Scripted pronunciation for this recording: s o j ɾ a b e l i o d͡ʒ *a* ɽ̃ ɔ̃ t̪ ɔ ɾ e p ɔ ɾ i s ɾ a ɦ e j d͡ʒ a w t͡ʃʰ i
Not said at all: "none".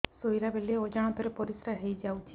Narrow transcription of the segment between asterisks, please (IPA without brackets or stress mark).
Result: a